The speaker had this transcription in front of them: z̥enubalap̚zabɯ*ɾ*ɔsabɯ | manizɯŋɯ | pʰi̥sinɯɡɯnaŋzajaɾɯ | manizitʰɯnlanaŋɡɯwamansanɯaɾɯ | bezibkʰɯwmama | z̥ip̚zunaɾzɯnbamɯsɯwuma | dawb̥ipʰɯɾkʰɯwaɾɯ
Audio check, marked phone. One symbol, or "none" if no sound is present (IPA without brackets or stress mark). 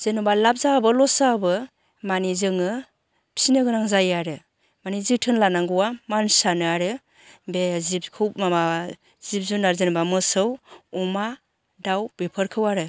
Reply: l